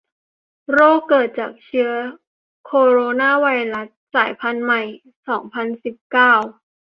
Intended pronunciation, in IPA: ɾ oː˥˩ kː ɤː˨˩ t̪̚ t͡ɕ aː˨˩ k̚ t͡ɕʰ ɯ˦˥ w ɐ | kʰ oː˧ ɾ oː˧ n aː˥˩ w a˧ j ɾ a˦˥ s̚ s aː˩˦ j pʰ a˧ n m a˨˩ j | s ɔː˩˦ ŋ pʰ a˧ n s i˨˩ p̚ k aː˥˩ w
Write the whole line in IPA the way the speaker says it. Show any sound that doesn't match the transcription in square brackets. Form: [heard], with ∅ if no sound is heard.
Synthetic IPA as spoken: ɾ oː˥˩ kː ɤː˨˩ t̪̚ t͡ɕ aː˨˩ k̚ t͡ɕʰ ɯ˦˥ [∅] ɐ | kʰ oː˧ ɾ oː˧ n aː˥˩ w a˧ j ɾ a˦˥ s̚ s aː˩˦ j pʰ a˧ n m a˨˩ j | s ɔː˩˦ ŋ pʰ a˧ n s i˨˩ p̚ k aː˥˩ w